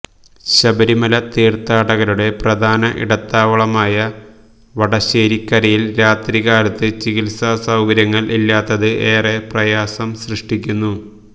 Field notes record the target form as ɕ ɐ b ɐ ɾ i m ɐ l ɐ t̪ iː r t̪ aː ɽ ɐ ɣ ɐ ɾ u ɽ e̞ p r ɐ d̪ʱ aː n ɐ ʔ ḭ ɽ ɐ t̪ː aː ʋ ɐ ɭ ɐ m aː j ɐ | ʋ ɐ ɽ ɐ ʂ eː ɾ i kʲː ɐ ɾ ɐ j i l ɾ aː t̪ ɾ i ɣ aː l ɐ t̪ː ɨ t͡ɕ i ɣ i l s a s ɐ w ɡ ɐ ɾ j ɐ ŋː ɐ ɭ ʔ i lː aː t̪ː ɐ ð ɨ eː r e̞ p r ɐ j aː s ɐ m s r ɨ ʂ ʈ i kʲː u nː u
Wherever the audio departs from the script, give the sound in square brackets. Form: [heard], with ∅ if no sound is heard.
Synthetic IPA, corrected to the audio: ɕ ɐ b ɐ ɾ i m ɐ l ɐ t̪ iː r t̪ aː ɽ ɐ ɣ ɐ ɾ u ɽ e̞ p r ɐ d̪ʱ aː n ɐ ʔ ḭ ɽ ɐ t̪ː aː ʋ ɐ ɭ ɐ m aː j ɐ | ʋ ɐ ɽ ɐ [ɕ] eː ɾ i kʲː ɐ ɾ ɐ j i l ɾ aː t̪ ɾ i ɣ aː l ɐ t̪ː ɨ t͡ɕ i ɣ i l s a s ɐ w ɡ ɐ ɾ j ɐ ŋː ɐ ɭ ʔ i lː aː t̪ː ɐ ð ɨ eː r e̞ p r ɐ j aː s ɐ m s r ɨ ʂ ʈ i kʲː u nː u